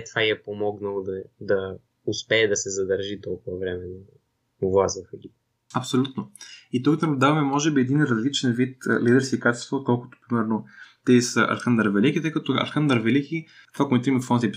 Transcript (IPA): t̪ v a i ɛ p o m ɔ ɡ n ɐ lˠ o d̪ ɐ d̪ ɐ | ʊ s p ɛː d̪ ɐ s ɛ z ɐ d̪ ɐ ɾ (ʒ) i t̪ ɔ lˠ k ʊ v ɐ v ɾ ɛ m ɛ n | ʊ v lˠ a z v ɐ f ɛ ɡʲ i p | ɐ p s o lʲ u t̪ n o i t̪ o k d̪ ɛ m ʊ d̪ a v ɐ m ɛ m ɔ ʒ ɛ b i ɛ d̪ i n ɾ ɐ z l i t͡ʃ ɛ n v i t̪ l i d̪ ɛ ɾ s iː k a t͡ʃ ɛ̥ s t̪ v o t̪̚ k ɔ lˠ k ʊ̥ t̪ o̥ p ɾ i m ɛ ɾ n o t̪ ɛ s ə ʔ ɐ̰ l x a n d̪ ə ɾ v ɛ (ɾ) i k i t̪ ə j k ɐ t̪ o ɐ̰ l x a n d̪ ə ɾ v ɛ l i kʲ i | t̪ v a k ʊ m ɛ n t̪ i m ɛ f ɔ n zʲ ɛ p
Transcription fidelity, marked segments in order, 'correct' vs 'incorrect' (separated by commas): correct, incorrect